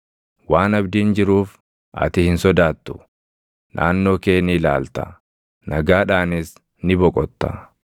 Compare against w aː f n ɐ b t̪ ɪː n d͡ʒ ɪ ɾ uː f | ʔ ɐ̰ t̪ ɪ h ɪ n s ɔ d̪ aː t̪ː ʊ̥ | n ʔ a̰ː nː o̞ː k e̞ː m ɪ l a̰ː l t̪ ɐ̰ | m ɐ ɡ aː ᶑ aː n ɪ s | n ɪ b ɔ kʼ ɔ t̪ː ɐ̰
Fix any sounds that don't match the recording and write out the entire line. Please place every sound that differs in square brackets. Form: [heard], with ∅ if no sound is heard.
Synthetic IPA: w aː [∅] n ɐ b [d̪] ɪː n d͡ʒ ɪ ɾ uː f | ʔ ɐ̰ t̪ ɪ h ɪ n s ɔ d̪ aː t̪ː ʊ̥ | n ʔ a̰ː nː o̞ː k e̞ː [n] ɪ l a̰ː l t̪ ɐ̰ | [n] ɐ ɡ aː ᶑ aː n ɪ s | n ɪ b ɔ kʼ ɔ t̪ː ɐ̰